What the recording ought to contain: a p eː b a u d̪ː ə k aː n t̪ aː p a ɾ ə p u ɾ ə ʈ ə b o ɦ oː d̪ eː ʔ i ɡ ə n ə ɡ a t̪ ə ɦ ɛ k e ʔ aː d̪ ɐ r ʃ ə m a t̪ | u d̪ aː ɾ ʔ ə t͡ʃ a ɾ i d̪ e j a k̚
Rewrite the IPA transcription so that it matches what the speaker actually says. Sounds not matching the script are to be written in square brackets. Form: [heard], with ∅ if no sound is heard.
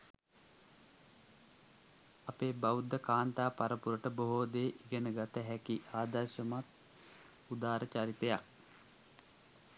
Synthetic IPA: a p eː b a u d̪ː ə k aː n t̪ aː p a ɾ ə p u ɾ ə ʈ ə b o ɦ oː d̪ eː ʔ i ɡ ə n ə ɡ a t̪ ə ɦ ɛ k [i] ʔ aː d̪ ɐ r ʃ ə m a t̪ | u d̪ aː ɾ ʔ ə t͡ʃ a ɾ i [t̪] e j a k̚